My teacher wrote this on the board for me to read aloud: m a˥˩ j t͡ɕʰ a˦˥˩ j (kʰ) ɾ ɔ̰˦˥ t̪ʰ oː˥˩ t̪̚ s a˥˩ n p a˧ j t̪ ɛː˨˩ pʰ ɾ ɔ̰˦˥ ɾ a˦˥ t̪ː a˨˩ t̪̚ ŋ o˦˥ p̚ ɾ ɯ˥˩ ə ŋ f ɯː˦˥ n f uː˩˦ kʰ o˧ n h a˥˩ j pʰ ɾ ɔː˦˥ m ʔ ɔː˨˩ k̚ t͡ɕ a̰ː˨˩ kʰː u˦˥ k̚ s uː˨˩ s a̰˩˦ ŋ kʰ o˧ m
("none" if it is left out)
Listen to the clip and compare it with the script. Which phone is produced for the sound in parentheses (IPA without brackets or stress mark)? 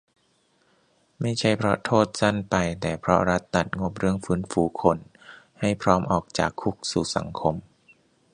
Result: pʰ